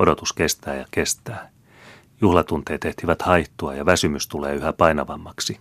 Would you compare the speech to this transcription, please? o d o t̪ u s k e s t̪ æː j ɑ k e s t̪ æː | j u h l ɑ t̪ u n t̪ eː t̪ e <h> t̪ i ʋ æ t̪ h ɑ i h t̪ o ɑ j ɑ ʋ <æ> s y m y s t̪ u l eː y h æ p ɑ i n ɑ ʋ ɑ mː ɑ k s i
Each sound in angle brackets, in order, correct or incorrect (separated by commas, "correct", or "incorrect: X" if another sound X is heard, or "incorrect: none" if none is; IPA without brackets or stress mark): correct, correct